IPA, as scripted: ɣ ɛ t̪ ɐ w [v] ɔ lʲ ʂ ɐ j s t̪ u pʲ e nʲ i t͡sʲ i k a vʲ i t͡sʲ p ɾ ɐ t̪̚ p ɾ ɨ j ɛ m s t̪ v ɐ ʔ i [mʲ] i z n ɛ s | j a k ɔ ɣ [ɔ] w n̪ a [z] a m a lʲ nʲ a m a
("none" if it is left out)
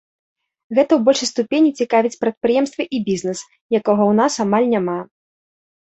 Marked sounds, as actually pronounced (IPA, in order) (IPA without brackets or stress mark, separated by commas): b, bʲ, ɔ, s